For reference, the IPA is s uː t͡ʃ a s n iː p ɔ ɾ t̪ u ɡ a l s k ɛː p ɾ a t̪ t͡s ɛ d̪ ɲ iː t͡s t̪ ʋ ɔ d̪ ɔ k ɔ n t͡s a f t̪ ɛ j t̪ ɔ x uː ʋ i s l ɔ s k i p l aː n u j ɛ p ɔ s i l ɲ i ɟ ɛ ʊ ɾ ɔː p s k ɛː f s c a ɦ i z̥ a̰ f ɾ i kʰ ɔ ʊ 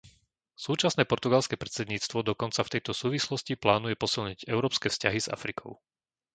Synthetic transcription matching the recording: s uː t͡ʃ a s n ɛː p ɔ ɾ t̪ u ɡ a l s k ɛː p ɾ ɛ t̪ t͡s ɛ d̪ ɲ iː t͡s t̪ ʋ ɔ d̪ ɔ k ɔ n t͡s a f t̪ ɛ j t̪ ɔ s uː ʋ i s l ɔ s c i p l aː n u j ɛ p ɔ s i l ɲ i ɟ ɛ ʊ ɾ ɔː p s k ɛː f s c a ɦ i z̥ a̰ f ɾ i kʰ ɔ ʊ